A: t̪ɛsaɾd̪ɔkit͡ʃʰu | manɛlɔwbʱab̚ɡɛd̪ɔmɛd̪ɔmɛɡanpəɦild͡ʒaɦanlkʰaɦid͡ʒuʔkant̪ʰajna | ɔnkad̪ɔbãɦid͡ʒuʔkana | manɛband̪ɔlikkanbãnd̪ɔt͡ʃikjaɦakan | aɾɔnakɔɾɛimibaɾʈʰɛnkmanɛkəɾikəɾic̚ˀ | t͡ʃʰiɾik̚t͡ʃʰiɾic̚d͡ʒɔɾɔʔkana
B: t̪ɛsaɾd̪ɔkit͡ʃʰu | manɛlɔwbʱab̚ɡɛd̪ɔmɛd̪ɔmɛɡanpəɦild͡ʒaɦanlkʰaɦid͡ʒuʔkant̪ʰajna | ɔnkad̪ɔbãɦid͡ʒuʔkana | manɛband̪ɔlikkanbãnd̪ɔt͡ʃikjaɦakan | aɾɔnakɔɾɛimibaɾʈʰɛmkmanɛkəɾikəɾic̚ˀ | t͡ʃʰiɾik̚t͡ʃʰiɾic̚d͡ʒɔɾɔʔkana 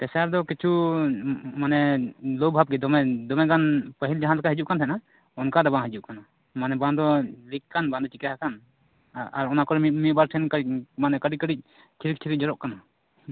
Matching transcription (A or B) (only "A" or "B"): A